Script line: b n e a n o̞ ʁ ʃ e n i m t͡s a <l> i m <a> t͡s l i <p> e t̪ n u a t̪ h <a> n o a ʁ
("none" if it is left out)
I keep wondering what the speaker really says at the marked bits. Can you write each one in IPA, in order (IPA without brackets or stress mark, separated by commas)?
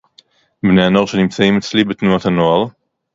none, e, b, a